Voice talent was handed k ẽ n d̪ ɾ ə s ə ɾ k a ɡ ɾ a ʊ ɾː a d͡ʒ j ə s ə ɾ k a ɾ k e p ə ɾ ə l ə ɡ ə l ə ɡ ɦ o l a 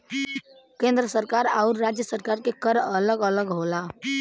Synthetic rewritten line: k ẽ n d̪ ɾ ə s ə ɾ k a ɾ a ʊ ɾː a d͡ʒ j ə s ə ɾ k a ɾ k e k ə ɾ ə l ə ɡ ə l ə ɡ ɦ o l a